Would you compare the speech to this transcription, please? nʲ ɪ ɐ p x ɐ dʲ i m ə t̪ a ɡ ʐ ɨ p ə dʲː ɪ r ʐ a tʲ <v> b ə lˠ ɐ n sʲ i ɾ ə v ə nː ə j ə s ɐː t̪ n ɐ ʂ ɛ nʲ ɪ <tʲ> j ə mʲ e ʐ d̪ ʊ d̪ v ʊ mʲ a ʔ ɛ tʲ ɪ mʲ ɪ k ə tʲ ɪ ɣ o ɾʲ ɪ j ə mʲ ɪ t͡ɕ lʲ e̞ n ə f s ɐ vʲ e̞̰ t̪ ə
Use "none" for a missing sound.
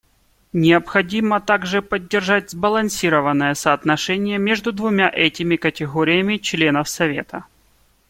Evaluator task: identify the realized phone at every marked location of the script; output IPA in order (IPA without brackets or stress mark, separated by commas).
z, none